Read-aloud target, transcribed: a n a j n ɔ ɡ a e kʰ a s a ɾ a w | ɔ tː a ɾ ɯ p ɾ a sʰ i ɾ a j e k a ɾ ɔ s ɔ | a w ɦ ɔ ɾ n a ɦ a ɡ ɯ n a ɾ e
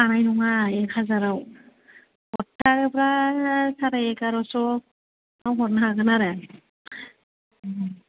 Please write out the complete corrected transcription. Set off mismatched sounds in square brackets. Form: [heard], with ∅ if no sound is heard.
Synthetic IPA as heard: a n a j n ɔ [ŋ] a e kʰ a [z] a ɾ a w | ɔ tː a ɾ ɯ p ɾ a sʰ [a] ɾ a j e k a ɾ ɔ s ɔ | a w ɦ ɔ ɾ n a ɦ a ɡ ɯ n a ɾ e